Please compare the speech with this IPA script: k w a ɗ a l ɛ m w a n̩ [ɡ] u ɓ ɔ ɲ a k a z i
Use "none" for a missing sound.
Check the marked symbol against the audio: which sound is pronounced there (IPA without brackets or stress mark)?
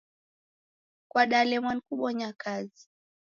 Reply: k